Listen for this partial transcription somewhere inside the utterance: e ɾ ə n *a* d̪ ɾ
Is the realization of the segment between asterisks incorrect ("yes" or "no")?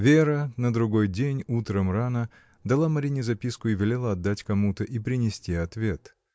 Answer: yes